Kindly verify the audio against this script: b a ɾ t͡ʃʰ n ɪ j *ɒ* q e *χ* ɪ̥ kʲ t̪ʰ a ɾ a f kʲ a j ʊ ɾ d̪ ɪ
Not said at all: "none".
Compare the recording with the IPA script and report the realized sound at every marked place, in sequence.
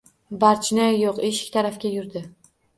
o, ʃ

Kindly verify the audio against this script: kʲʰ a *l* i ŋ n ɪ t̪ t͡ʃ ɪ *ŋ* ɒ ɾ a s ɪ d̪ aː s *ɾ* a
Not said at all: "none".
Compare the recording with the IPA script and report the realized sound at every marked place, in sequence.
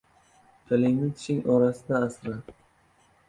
l, ŋ, ɾ

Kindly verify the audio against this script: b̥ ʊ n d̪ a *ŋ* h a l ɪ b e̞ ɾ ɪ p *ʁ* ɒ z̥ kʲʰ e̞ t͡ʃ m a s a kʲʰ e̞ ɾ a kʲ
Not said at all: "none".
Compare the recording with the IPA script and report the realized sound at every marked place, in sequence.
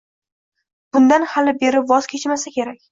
n, v

